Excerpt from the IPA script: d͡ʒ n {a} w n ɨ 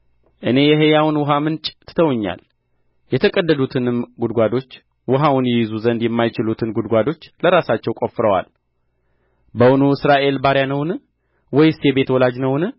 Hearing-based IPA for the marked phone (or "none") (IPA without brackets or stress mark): ə